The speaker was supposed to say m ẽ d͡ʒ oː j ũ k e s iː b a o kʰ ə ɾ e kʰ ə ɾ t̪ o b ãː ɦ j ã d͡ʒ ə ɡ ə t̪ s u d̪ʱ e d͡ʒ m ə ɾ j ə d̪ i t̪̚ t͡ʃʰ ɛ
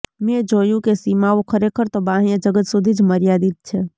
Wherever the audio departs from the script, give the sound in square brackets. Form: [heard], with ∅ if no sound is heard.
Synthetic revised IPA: m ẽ d͡ʒ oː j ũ k e s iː [m] a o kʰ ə ɾ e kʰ ə ɾ t̪ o b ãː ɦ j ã d͡ʒ ə ɡ ə t̪ s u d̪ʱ [i] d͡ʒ m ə ɾ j [a] d̪ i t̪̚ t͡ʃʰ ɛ